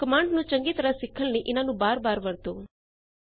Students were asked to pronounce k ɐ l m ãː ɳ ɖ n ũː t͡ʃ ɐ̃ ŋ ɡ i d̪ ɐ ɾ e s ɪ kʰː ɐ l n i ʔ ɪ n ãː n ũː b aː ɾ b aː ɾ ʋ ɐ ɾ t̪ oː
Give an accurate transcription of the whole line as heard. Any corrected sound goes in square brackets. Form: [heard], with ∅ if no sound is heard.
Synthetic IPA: k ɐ [∅] m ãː ɳ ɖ n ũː t͡ʃ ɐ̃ ŋ ɡ i [t̪] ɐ ɾ [a] s ɪ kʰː [ə] l n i ʔ ɪ n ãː n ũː b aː ɾ b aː ɾ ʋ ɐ ɾ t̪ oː